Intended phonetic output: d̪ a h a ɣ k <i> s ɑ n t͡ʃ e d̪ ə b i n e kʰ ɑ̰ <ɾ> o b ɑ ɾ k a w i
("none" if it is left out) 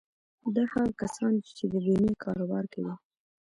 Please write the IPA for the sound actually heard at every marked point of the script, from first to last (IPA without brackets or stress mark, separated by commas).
a, ɾ